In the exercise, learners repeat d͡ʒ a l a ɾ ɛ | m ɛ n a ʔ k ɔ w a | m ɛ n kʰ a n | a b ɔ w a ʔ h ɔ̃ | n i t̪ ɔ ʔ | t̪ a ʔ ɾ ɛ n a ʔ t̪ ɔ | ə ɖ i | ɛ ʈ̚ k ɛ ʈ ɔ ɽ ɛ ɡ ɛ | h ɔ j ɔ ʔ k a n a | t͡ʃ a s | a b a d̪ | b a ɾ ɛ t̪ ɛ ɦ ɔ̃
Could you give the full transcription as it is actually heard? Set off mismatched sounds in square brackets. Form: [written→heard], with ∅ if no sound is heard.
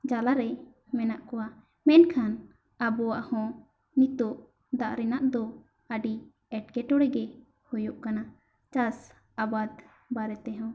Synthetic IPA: d͡ʒ a l a ɾ ɛ | m ɛ n a ʔ k ɔ w a | m ɛ n kʰ a n | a b ɔ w a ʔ h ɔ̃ | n i t̪ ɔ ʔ | [t̪→d̪] a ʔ ɾ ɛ n a ʔ [t̪→d̪] ɔ | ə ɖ i | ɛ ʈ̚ k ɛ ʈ ɔ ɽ ɛ ɡ ɛ | h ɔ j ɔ ʔ k a n a | t͡ʃ a s | a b a d̪ | b a ɾ ɛ t̪ ɛ ɦ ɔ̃